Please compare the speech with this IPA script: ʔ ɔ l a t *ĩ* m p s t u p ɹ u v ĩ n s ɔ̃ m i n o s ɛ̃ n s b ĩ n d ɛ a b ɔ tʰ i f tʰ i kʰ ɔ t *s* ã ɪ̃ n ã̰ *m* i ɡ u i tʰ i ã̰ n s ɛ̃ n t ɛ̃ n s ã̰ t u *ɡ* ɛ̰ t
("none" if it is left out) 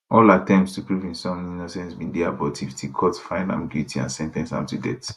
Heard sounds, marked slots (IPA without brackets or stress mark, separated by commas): ɛ̃, f, m, d